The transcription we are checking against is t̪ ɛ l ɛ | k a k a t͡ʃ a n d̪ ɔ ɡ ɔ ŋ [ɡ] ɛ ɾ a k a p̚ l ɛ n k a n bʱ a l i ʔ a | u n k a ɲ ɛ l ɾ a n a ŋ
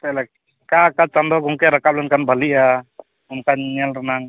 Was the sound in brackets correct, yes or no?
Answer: no